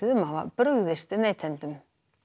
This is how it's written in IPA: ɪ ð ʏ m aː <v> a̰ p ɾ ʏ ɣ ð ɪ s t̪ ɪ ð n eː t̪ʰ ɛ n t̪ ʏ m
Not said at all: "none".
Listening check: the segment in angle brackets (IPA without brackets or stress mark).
v